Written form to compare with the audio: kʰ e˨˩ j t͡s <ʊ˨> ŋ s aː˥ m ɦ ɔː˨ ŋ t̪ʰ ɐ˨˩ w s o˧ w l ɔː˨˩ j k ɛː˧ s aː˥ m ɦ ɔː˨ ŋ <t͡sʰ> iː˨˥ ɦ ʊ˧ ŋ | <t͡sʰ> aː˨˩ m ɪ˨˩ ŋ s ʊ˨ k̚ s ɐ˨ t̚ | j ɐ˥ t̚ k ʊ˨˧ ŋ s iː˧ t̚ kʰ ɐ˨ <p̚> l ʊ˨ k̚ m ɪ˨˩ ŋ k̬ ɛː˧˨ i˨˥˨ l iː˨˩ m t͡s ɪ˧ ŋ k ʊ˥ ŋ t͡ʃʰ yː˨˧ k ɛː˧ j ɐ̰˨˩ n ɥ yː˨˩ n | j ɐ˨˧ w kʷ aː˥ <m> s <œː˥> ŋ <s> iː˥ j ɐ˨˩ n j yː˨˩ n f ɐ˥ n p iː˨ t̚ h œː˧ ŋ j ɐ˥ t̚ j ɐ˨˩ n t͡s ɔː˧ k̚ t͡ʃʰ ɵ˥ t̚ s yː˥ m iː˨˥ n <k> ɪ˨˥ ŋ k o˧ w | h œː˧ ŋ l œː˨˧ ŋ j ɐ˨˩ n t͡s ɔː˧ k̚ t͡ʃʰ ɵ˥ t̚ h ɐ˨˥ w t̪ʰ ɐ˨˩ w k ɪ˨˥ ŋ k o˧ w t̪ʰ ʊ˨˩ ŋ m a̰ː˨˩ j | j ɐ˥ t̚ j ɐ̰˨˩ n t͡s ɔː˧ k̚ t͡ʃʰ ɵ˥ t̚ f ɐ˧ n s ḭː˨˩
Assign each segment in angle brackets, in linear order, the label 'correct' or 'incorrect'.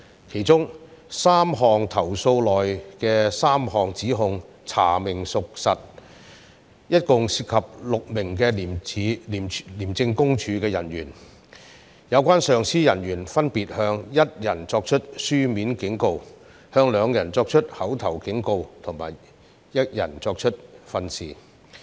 incorrect, incorrect, correct, correct, incorrect, incorrect, correct, correct

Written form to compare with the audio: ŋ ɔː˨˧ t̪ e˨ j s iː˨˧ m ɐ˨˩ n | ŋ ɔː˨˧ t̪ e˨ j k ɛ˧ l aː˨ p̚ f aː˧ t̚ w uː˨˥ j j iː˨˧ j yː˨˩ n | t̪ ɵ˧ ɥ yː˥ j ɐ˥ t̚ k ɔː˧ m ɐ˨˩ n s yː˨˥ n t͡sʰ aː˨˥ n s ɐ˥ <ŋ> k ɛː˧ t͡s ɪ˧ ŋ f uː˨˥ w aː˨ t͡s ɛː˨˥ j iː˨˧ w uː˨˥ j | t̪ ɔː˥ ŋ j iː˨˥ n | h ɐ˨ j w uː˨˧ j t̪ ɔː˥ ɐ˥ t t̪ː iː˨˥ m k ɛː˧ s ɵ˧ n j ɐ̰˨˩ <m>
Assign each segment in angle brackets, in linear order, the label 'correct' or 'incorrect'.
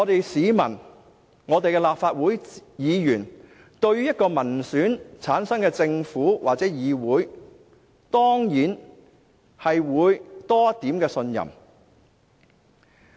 correct, correct

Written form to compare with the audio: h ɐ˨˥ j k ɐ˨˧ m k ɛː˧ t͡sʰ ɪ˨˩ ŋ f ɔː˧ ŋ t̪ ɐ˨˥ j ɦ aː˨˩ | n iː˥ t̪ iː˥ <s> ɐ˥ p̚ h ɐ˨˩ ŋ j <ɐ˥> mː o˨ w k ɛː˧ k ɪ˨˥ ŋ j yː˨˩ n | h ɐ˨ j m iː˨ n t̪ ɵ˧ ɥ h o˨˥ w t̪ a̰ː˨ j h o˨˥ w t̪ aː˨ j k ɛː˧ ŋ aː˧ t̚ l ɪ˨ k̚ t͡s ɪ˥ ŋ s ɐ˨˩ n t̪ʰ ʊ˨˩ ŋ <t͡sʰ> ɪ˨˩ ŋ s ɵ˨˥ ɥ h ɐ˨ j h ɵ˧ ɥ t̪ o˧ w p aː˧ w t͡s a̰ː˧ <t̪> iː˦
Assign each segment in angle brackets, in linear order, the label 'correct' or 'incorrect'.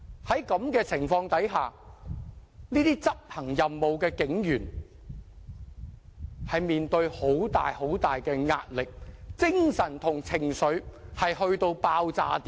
incorrect, incorrect, correct, correct

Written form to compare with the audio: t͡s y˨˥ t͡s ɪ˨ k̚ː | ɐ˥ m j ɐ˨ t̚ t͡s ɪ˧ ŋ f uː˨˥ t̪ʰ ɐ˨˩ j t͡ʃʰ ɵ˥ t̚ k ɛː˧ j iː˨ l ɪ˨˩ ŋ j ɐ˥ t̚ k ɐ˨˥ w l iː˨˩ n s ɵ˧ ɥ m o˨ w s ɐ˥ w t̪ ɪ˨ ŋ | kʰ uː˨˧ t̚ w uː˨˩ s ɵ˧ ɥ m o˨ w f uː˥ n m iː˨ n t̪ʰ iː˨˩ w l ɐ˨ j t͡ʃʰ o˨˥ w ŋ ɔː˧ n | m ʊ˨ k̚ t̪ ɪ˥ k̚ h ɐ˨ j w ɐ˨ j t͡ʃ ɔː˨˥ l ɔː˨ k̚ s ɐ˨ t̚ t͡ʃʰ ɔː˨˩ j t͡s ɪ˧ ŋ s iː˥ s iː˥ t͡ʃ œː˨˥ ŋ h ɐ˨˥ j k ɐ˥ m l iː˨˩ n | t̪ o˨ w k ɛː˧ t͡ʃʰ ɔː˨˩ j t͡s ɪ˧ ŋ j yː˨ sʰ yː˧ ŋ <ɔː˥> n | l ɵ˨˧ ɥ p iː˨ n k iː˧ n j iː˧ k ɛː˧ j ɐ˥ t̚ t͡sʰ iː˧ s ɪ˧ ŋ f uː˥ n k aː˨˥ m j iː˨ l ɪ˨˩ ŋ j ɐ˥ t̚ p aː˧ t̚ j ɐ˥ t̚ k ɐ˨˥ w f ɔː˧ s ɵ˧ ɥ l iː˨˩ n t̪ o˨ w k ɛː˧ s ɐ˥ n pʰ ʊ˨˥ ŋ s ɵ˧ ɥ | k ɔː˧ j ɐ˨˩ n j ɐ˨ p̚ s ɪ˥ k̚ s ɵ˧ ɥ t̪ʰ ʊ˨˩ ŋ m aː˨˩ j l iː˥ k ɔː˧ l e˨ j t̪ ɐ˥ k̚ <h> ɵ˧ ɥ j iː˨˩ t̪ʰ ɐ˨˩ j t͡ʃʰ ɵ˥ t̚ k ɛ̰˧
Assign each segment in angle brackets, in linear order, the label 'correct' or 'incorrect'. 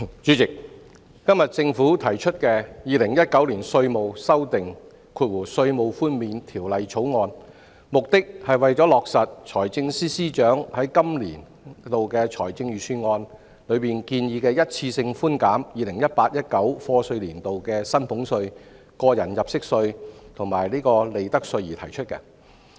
incorrect, incorrect

